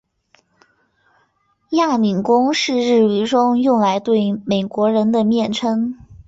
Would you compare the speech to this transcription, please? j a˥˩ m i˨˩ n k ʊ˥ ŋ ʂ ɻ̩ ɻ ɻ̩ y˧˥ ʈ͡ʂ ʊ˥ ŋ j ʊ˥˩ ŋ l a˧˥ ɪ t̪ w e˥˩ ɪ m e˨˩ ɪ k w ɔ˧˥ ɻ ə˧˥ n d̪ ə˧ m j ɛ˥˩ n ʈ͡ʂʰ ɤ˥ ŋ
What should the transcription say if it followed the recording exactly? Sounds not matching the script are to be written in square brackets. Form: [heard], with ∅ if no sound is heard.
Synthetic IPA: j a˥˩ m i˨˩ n k ʊ˥ ŋ ʂ ɻ̩ ɻ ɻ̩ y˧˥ ʈ͡ʂ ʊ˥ ŋ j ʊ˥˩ ŋ l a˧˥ ɪ t̪ w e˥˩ ɪ m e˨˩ ɪ k w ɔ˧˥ ɻ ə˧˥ n d̪ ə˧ m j ɛ˥˩ n ʈ͡ʂʰ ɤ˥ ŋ